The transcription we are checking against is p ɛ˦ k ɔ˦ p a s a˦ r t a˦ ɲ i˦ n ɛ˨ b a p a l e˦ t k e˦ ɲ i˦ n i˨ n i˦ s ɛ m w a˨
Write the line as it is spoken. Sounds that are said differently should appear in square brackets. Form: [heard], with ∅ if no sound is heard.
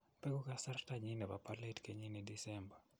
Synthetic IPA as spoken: p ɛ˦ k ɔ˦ [k] a s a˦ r t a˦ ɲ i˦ n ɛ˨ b a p a l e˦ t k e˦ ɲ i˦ n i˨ [d] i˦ s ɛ m [b] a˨